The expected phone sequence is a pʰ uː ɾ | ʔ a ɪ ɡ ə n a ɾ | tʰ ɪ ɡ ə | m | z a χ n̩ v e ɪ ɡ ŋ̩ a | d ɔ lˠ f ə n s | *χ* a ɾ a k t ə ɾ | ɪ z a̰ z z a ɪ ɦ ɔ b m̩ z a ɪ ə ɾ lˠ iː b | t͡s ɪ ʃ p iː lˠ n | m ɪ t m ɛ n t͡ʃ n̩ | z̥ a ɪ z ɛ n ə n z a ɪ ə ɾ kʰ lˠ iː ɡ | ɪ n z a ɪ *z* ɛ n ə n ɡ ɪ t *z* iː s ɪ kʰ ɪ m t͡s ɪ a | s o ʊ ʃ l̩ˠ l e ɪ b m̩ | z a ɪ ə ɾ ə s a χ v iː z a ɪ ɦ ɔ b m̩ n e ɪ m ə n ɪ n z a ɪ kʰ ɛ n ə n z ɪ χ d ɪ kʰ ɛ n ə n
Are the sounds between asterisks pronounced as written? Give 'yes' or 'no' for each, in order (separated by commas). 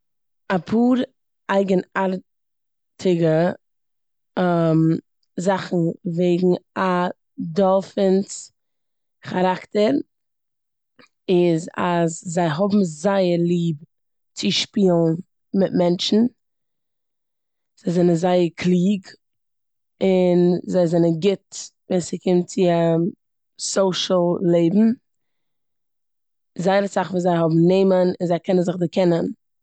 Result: yes, yes, no